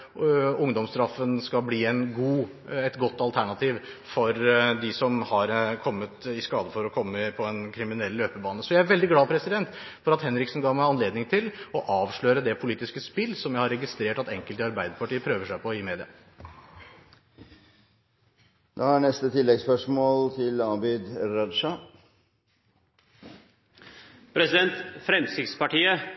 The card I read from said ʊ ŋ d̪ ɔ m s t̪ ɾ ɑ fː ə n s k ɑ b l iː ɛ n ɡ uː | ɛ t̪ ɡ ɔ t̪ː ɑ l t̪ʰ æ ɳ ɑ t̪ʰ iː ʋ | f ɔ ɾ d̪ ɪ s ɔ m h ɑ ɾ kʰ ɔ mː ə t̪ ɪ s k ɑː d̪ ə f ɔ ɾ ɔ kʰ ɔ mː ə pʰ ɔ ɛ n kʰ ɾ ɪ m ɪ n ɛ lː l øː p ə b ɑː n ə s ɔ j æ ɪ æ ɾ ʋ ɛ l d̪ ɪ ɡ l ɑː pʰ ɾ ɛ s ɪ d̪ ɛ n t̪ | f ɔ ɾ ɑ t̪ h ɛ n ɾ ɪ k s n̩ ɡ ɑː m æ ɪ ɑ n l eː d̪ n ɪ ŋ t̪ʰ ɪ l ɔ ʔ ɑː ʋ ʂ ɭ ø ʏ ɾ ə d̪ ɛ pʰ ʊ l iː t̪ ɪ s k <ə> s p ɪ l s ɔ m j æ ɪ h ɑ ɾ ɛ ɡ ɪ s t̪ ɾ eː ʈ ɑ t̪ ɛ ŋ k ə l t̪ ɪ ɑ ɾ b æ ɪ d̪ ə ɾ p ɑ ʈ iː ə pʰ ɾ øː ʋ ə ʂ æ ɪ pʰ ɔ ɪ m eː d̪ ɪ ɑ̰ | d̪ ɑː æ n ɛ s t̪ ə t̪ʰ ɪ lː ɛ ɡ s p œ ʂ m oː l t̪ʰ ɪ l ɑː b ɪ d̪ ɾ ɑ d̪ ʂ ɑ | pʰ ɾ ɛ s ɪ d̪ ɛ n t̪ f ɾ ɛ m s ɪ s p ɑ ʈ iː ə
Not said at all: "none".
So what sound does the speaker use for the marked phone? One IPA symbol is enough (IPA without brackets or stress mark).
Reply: ə